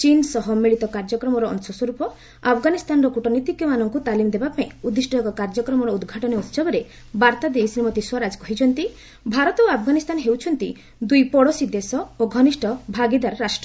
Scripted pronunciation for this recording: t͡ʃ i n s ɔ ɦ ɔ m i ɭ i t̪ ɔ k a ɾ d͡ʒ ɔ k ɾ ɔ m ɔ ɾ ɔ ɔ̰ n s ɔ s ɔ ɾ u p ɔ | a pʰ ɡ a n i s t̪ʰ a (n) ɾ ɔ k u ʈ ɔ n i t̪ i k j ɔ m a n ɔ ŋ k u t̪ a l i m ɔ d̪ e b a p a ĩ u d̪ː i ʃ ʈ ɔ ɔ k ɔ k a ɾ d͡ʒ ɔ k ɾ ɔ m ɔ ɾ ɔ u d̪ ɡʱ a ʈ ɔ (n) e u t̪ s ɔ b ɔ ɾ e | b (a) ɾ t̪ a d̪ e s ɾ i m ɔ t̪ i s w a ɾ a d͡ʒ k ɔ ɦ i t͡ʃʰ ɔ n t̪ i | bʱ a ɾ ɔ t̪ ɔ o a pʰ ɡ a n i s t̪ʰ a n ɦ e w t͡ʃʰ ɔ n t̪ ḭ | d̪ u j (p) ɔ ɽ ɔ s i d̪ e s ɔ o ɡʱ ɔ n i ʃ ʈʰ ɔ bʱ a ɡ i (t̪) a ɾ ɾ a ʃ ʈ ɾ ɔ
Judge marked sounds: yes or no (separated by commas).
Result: yes, yes, yes, yes, no